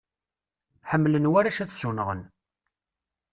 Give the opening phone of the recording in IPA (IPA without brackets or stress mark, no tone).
ħ